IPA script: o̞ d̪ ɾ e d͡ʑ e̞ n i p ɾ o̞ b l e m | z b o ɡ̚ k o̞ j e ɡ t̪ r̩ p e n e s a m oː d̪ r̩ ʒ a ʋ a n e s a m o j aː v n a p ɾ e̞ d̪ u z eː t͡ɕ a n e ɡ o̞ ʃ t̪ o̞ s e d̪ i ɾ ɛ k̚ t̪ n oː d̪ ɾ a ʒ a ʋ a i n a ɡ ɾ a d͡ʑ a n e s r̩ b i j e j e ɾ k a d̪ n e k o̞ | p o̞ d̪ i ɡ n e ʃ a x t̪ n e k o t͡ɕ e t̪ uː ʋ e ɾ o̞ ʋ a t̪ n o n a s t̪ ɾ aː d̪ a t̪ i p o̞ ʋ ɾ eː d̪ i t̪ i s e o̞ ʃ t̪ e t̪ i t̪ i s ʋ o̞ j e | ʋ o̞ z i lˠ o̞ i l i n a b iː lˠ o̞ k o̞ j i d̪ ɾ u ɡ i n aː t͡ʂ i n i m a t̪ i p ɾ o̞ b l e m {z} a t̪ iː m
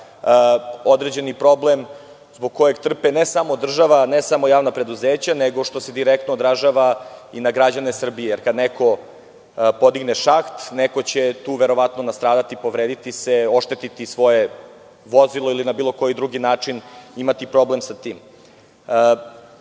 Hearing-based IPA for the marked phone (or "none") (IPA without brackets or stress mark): s